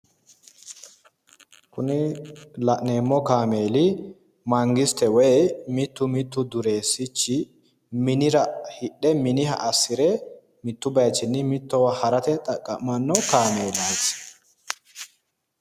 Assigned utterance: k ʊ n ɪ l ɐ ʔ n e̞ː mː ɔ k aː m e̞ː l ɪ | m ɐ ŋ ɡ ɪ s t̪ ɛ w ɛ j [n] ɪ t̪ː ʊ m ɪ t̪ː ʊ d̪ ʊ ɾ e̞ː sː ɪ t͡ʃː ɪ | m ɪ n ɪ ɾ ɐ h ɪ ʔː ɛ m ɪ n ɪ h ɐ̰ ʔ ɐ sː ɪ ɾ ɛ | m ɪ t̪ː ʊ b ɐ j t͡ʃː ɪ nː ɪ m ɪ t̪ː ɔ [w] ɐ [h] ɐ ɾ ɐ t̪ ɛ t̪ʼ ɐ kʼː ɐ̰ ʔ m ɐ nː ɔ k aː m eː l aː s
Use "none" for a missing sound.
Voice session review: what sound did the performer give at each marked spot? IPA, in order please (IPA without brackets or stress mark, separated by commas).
m, w, h